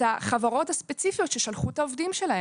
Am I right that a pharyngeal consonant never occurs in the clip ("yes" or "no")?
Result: yes